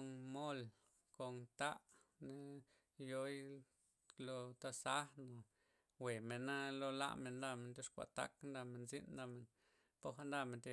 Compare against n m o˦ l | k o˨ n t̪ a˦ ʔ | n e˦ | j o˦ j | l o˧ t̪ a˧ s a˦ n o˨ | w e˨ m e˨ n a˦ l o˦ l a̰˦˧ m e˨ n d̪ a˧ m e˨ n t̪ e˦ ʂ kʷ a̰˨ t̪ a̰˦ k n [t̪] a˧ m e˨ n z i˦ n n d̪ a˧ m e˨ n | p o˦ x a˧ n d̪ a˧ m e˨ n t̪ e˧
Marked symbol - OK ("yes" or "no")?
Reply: no